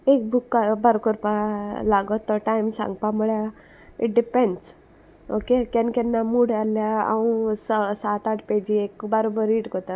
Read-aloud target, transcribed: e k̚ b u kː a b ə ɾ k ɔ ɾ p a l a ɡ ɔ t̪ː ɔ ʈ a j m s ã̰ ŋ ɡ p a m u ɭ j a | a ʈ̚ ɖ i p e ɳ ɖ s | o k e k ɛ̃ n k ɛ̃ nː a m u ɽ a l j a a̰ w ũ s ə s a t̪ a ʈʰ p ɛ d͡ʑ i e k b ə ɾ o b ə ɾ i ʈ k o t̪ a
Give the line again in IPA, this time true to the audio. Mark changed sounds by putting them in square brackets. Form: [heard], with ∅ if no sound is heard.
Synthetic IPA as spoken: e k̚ b u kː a b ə ɾ k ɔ ɾ p a l a ɡ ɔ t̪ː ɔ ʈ a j m s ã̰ ŋ ɡ p a m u ɭ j a | [i] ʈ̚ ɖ i p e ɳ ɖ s | o k e k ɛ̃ n k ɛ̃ nː a m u ɽ a l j a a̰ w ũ s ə s a t̪ a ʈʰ p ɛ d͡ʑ i e k b ə ɾ o b ə ɾ i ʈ k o t̪ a